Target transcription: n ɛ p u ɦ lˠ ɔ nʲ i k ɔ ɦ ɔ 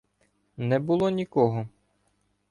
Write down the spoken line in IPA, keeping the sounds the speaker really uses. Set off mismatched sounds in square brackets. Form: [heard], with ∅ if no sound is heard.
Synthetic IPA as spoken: n ɛ [b] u [∅] lˠ ɔ nʲ i k ɔ ɦ ɔ